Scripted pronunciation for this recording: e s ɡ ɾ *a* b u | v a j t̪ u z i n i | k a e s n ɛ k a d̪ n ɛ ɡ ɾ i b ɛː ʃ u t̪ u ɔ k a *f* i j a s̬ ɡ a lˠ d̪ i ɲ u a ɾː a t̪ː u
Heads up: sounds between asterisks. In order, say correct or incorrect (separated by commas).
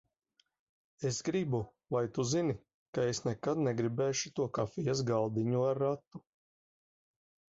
incorrect, correct